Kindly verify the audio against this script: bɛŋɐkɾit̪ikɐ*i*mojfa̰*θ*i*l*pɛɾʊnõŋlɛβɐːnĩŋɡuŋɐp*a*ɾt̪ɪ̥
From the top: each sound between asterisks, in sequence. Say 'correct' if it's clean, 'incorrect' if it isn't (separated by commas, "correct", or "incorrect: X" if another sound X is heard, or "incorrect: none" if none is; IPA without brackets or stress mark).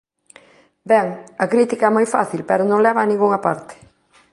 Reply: incorrect: ɛ, correct, correct, correct